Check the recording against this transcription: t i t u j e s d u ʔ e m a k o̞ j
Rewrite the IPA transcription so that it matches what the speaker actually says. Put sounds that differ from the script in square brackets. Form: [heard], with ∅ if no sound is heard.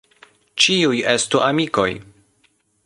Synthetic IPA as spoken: [t͡ʃ] i [∅] u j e s [t] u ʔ [a] m [i] k o̞ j